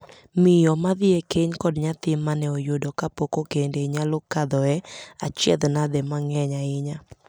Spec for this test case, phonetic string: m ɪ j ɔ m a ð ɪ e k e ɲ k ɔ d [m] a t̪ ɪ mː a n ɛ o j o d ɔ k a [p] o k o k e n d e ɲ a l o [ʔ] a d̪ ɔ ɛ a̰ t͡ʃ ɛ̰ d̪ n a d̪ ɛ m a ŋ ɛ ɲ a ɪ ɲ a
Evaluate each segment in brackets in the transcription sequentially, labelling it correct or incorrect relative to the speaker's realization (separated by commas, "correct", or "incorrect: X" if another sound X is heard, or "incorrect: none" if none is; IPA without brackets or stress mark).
incorrect: ɲ, correct, incorrect: k